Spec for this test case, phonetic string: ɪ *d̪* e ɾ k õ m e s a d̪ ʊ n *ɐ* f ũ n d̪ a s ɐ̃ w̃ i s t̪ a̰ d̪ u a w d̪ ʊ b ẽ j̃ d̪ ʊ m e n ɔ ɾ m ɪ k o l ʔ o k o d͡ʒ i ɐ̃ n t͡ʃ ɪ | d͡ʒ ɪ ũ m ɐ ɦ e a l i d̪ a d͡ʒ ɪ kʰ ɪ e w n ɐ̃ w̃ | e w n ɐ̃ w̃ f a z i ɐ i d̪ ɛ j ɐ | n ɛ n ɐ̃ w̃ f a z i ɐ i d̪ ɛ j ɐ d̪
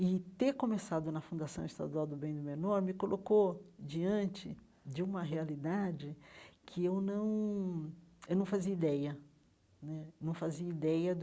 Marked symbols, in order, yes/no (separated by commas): no, yes